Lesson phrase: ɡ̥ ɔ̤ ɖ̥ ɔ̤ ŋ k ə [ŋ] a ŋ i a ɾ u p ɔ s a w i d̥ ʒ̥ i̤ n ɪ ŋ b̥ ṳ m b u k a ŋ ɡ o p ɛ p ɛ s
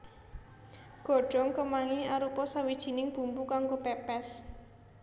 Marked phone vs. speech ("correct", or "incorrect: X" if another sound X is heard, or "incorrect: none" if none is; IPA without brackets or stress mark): incorrect: m